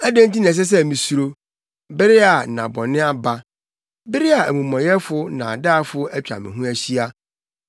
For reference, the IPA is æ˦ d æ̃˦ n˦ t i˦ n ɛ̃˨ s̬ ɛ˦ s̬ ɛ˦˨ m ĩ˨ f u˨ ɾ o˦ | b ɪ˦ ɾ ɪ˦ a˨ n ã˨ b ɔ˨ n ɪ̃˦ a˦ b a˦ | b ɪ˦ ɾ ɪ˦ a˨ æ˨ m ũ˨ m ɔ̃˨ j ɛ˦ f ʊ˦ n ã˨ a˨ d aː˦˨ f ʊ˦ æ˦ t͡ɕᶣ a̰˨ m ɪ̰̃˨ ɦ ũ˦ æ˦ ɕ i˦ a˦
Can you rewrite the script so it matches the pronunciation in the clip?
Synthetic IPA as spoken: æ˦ d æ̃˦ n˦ t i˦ n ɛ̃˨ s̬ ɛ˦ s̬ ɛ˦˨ m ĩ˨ s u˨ ɾ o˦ | b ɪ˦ ɾ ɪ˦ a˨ n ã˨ b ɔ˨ n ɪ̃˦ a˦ b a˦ | b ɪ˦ ɾ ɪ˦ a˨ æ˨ m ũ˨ m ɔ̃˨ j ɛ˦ f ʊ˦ n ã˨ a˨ d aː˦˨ f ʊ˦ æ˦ t͡ɕᶣ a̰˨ m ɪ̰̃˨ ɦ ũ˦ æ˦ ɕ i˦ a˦